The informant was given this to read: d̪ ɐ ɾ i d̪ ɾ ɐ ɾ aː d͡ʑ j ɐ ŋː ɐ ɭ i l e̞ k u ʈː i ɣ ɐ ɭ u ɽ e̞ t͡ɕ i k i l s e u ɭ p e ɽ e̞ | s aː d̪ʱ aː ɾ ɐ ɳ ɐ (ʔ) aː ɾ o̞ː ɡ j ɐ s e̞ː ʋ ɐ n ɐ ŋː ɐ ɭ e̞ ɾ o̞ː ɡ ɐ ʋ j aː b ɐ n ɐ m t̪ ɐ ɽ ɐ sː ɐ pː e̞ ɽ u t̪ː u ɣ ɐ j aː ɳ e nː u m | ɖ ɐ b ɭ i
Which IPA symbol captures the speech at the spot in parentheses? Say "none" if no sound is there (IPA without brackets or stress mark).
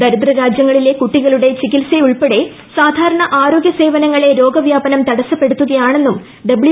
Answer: ʔ